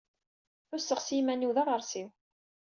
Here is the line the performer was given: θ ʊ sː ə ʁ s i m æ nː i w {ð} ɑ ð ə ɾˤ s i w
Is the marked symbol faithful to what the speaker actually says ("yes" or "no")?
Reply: yes